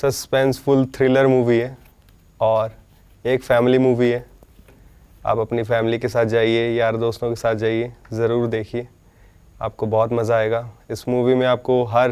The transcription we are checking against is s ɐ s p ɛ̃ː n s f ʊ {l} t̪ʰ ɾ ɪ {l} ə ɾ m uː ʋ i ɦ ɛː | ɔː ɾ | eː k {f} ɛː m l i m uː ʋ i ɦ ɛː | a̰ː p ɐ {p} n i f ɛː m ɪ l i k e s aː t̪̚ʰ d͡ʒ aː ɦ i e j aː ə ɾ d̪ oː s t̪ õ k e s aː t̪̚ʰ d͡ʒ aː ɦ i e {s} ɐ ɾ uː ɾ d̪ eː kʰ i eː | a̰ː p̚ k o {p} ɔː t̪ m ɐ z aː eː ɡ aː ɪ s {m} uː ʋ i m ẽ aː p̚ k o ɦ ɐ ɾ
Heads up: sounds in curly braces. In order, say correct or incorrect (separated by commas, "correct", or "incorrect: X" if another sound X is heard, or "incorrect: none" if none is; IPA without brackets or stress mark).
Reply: correct, correct, correct, correct, incorrect: z, incorrect: b, correct